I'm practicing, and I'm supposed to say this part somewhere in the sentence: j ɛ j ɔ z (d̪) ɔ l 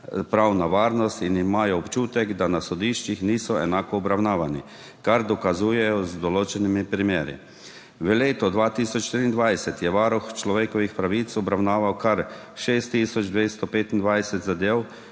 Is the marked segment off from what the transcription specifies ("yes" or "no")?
no